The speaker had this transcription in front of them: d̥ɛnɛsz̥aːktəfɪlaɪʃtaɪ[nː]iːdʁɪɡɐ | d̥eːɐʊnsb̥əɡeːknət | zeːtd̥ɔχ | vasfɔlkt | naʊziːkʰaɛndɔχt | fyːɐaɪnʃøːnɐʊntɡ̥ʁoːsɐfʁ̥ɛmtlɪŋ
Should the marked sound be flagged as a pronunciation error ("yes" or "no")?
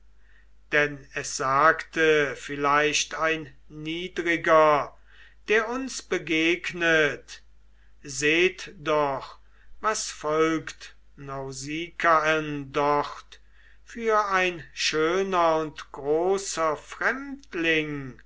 no